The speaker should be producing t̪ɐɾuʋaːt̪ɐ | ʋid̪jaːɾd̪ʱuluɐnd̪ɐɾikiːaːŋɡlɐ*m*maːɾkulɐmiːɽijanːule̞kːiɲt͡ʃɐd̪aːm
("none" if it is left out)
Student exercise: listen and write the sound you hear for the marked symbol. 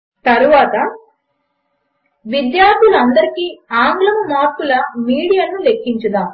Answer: m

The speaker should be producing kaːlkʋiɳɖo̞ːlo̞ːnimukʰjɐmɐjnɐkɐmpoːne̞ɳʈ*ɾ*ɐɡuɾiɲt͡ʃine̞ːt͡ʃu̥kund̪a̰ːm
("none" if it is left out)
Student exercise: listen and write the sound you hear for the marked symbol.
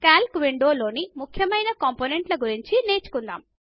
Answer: l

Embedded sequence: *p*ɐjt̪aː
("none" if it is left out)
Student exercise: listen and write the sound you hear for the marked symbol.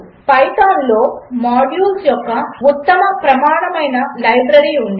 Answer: p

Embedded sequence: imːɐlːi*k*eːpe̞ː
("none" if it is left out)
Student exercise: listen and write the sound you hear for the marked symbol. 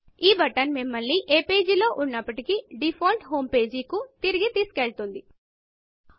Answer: ʔ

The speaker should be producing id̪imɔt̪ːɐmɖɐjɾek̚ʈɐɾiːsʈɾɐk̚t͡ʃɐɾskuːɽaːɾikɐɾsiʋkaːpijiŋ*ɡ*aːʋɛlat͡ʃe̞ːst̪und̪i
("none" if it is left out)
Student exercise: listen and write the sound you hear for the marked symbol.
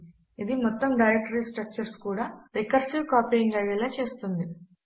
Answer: ɡ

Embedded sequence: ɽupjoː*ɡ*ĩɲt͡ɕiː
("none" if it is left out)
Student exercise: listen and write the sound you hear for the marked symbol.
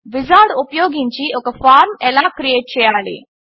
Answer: ɡ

